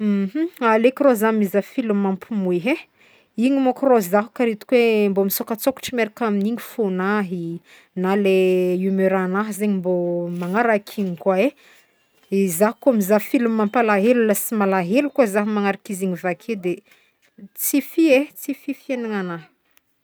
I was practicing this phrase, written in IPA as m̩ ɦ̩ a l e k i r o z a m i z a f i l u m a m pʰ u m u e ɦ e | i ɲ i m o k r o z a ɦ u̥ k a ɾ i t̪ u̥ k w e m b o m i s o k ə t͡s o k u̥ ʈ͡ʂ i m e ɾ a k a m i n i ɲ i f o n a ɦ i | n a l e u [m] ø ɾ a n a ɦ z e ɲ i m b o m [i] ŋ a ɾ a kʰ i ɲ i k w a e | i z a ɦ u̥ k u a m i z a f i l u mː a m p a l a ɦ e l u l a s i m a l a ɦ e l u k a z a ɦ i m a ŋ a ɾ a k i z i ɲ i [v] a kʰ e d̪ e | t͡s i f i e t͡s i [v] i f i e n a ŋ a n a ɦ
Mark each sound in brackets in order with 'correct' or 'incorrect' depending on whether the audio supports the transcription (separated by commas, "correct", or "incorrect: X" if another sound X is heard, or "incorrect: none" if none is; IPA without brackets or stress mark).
correct, incorrect: a, correct, incorrect: f